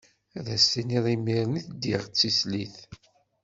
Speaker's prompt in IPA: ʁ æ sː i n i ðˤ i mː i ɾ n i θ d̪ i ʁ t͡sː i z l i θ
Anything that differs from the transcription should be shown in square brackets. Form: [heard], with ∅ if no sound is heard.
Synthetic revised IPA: [ð] æ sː i n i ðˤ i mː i ɾ n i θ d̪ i ʁ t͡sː i [s] l i θ